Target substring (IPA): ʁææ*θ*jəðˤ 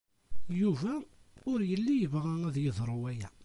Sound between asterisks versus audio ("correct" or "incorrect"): incorrect